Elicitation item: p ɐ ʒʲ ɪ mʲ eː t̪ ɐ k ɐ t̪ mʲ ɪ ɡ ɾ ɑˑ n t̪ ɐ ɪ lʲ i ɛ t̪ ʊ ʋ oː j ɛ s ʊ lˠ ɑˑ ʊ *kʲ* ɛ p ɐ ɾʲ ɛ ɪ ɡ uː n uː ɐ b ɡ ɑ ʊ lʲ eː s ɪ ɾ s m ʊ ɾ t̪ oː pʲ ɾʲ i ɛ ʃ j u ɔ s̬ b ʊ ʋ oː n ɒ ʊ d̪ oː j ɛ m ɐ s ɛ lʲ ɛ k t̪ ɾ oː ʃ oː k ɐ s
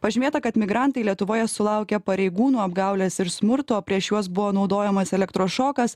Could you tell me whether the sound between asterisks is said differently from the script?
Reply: no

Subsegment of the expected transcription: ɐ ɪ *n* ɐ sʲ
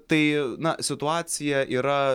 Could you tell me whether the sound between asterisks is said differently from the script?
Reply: no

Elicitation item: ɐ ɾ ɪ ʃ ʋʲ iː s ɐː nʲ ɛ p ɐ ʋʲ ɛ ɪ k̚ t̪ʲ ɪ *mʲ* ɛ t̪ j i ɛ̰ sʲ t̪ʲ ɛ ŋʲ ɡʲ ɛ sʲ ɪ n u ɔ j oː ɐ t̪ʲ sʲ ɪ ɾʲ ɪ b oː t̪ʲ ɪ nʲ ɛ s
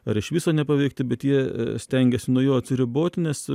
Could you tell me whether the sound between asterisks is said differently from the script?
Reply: yes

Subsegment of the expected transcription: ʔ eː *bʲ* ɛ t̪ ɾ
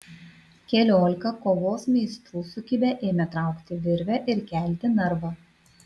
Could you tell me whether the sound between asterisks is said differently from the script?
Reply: yes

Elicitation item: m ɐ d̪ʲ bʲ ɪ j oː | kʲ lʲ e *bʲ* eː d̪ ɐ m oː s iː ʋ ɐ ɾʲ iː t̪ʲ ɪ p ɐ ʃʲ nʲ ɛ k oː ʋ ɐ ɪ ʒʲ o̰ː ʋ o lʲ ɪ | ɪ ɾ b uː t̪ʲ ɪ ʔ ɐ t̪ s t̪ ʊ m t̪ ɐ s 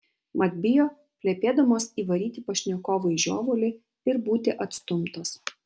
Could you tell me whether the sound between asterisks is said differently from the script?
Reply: yes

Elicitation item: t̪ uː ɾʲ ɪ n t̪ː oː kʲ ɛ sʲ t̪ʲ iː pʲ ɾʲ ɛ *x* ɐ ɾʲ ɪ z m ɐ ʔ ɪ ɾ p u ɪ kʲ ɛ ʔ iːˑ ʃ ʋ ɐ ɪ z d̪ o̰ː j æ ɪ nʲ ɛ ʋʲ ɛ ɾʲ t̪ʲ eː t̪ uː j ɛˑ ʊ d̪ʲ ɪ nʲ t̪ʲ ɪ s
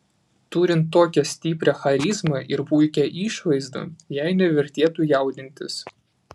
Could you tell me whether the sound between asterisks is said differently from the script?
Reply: no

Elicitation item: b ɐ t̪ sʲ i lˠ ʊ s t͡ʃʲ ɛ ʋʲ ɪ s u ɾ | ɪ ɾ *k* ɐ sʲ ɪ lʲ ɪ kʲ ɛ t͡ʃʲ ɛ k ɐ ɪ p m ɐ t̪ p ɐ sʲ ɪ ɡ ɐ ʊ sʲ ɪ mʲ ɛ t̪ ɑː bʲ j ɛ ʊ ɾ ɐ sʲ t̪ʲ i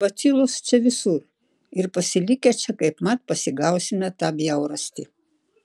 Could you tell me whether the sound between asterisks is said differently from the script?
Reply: yes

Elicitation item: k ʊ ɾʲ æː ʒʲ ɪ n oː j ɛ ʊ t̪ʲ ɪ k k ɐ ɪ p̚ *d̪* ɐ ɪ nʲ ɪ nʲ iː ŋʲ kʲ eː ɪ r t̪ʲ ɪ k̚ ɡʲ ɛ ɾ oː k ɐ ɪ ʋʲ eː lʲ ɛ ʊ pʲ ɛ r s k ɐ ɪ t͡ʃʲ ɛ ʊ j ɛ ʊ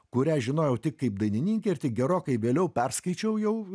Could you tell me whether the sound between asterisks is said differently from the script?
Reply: no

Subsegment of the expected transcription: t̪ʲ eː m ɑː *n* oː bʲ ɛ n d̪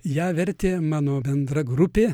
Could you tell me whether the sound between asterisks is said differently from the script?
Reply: no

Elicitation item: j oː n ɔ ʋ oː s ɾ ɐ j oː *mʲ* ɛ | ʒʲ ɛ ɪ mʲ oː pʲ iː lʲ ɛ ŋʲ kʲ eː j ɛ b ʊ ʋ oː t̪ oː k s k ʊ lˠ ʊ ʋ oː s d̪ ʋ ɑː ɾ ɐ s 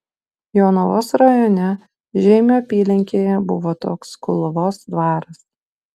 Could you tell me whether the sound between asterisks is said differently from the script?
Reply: yes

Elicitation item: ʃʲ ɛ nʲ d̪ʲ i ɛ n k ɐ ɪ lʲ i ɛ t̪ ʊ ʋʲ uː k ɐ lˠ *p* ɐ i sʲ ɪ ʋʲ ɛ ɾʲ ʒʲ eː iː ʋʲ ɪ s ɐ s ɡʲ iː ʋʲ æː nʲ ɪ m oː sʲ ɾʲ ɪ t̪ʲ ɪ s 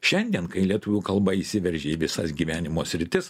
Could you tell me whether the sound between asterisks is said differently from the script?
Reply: yes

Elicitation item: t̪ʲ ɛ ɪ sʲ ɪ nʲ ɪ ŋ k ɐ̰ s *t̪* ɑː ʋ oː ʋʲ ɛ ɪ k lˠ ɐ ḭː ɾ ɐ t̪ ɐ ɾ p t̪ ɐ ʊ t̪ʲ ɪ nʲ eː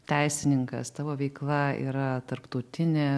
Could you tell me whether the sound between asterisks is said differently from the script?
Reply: no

